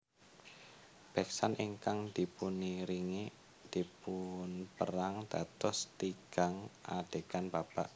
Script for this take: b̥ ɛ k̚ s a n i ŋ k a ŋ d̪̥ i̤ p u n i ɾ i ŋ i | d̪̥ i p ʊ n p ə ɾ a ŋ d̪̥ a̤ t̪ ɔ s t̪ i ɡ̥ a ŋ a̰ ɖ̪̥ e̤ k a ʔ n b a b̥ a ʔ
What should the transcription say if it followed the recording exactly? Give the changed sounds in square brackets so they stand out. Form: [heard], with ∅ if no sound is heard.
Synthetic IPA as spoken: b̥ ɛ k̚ s a n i ŋ k a ŋ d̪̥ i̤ p u n i ɾ i ŋ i | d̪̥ i p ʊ n p ə ɾ a ŋ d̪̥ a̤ t̪ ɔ s t̪ i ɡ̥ a ŋ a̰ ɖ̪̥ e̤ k a [∅] n b a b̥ a ʔ